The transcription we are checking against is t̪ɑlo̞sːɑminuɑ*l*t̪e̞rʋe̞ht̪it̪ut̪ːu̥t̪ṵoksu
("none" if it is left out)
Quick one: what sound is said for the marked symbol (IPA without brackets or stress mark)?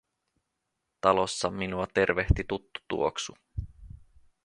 none